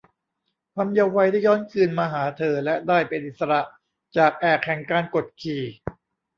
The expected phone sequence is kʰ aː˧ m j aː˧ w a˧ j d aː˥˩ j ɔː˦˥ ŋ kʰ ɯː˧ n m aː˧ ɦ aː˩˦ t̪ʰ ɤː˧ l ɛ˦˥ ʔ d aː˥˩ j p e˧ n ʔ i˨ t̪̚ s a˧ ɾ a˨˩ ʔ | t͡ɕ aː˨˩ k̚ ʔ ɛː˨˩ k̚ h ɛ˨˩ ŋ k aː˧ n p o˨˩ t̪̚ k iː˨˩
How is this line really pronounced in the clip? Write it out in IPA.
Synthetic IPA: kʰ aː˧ m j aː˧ w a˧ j d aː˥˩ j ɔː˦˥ n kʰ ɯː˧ n m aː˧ ɦ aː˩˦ t̪ʰ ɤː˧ l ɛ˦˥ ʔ d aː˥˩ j p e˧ n ʔ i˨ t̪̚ s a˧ ɾ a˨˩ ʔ | t͡ɕ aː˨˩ k̚ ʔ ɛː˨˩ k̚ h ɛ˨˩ ŋ k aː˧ n k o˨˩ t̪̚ kʰ iː˨˩